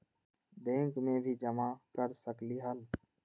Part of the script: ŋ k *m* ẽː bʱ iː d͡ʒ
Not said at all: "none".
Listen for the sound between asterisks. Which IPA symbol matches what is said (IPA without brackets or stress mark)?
m